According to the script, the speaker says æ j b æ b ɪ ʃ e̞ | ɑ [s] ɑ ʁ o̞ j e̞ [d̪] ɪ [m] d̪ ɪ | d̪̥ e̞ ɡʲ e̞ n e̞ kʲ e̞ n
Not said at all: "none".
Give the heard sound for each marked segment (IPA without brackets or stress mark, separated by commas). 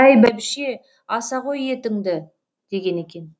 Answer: s, t̪, ŋ